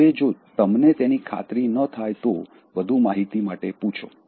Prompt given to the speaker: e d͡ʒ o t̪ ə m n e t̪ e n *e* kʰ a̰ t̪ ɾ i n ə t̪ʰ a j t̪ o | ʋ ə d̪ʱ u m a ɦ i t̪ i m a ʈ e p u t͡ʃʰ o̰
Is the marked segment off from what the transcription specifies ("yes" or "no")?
yes